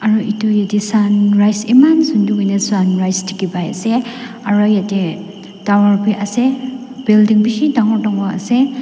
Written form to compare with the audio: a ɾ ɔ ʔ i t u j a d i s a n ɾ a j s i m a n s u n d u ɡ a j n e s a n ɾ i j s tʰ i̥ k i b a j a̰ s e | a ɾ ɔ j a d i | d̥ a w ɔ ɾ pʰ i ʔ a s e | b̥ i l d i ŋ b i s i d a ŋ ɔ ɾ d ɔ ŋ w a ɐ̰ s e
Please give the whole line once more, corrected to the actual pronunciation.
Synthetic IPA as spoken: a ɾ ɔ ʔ i t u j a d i s a n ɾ a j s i m a n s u n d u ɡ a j n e s a n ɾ a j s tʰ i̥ k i b a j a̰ s e | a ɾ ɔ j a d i | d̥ a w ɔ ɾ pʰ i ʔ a s e | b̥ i l d i ŋ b i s i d a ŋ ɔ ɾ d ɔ ŋ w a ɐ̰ s e

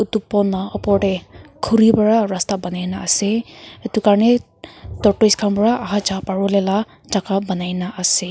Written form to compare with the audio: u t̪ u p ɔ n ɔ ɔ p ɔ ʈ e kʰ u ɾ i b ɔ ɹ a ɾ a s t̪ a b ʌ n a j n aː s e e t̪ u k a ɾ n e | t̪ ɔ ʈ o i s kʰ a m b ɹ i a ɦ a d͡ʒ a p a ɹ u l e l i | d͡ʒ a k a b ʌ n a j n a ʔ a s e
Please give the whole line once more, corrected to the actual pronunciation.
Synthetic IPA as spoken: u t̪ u p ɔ n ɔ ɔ p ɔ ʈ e kʰ u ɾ i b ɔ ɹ a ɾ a s t̪ a b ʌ n a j n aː s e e t̪ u k a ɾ n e | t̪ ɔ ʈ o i s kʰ a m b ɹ a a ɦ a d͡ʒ a p a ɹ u l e l a | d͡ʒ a k a b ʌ n a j n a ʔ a s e

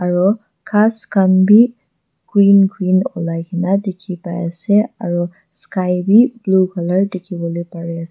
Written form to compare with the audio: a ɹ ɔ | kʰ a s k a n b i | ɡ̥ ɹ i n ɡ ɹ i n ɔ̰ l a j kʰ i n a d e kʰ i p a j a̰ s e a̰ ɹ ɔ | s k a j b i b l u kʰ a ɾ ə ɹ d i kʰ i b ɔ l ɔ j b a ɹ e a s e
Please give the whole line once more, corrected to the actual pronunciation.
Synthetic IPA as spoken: a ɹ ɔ | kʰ a s k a n b i | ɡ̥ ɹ i n ɡ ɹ i n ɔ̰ l a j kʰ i n a d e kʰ i p a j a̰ s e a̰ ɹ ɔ | s k a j b i b l u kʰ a l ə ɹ d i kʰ i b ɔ l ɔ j p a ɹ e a s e

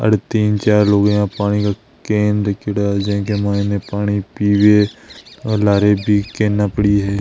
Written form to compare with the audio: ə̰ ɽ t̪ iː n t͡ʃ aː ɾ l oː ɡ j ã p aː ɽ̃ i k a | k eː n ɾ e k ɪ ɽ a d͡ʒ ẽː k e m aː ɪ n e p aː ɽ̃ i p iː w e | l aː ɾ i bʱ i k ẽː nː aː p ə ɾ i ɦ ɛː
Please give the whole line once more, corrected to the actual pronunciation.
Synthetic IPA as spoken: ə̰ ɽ t̪ iː n t͡ʃ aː ɾ l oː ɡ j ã p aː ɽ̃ i k a | k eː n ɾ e k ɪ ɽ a d͡ʒ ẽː k e m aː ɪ n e p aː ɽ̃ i p iː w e | l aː ɾ e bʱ i k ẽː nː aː p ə ɽ i ɦ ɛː

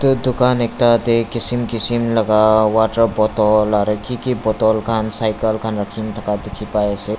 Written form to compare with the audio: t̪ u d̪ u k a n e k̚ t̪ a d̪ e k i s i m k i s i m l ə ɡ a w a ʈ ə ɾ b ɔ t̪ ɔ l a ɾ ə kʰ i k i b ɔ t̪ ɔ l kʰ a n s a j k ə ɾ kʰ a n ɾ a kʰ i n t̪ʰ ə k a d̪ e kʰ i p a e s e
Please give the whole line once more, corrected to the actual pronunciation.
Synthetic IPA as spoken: t̪ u d̪ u k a n e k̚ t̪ a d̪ e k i s i m k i s i m l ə ɡ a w a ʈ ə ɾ b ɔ t̪ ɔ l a ɾ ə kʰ i k i b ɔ t̪ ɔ l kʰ a n s a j k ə l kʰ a n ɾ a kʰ i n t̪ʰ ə k a d̪ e kʰ i p a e s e

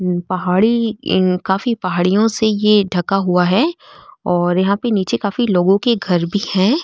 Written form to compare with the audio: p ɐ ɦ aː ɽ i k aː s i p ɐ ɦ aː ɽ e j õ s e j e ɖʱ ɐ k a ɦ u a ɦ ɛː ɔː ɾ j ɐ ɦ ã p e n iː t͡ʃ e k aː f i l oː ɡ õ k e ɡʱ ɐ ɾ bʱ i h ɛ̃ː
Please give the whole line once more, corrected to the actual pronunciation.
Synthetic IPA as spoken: p ɐ ɦ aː ɽ i k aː f i p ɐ ɦ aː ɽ i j õ s e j e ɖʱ ɐ k a ɦ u a ɦ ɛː ɔː ɾ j ɐ ɦ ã p e n iː t͡ʃ e k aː f i l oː ɡ õ k e ɡʱ ɐ ɾ bʱ i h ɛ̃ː

